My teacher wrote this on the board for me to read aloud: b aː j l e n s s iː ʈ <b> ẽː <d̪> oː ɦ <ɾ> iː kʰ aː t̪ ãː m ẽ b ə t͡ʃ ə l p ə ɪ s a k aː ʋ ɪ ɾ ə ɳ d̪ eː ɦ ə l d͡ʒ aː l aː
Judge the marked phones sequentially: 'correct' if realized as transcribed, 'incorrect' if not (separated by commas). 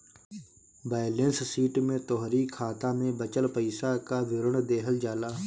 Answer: incorrect, incorrect, correct